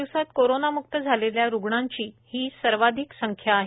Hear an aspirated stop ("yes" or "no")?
yes